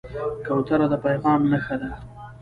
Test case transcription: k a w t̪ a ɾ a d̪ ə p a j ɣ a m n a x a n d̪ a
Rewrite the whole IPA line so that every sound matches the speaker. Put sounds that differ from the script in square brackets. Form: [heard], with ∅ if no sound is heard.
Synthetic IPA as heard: k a w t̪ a ɾ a d̪ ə p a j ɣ [ɑ] m n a x a [∅] d̪ a